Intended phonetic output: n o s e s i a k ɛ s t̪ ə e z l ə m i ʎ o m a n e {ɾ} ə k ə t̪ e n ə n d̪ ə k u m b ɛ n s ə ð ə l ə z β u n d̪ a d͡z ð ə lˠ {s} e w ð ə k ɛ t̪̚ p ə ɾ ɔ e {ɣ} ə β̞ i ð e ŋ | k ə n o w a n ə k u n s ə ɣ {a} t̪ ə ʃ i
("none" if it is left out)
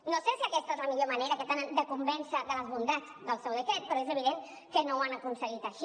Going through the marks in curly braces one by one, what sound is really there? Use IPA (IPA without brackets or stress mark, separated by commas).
ɾ, s, z, i